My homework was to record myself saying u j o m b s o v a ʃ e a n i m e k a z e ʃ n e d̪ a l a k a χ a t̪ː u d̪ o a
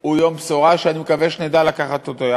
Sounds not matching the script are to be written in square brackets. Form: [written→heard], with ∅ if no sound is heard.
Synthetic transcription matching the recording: u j o m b s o [v→ʁ] a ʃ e a n i m e k a [z→v] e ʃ n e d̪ a l a k a χ a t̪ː [u→o] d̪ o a